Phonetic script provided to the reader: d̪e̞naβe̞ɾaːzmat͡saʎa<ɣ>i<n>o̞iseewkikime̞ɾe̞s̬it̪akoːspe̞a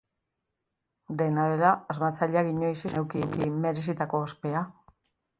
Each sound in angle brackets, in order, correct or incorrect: correct, incorrect

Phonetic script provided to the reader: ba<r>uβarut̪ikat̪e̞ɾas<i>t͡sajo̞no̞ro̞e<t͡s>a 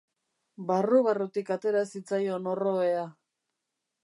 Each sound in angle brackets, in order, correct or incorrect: correct, correct, incorrect

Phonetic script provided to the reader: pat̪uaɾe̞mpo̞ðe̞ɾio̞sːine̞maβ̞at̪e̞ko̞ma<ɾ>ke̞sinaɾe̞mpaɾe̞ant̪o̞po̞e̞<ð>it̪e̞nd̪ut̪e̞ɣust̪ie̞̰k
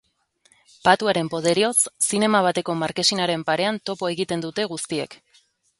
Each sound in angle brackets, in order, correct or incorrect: correct, incorrect

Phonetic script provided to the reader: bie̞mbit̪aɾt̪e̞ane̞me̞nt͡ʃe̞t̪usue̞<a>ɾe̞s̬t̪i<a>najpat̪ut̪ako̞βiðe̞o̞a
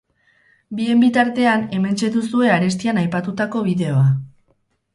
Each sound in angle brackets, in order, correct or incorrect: correct, correct

